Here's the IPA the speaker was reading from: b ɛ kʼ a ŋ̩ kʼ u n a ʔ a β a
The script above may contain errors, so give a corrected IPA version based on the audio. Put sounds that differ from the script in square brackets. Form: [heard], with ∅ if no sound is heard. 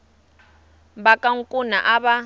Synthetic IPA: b [a] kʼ a ŋ̩ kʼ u n a ʔ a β a